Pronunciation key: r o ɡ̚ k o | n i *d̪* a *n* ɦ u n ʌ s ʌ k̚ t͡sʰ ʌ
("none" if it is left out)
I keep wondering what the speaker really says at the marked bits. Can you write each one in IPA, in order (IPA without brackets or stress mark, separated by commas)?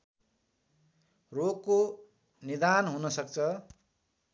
d̪, n